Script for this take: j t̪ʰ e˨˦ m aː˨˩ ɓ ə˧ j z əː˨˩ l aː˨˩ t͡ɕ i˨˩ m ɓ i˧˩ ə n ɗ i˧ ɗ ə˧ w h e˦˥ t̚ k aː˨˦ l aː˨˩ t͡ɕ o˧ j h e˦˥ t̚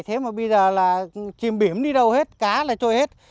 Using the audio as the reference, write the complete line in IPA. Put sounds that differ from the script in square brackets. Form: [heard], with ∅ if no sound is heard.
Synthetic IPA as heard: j t̪ʰ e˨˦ m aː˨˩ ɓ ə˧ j z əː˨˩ l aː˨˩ t͡ɕ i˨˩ m ɓ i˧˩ ə [m] ɗ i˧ ɗ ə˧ w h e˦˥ t̚ k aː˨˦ l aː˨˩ t͡ɕ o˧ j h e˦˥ t̚